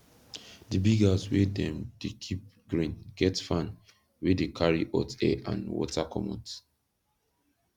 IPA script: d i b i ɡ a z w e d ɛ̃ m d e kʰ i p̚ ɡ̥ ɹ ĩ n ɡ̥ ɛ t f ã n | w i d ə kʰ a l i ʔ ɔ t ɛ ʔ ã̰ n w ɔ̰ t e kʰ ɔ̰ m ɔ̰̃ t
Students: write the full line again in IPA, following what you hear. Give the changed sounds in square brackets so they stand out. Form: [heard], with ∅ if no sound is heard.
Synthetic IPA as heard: d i b i ɡ a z w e d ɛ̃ m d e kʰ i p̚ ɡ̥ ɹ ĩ n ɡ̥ ɛ t f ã n | w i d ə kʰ a [ɹ] i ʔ ɔ t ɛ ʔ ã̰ n w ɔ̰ t [a] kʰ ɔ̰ m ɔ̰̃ t